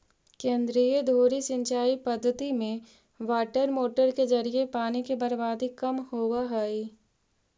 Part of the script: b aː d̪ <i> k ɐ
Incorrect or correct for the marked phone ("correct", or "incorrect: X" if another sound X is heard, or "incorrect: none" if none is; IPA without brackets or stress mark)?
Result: correct